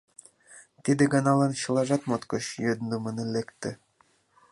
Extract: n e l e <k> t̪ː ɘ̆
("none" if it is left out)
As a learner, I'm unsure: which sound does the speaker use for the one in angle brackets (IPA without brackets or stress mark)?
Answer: k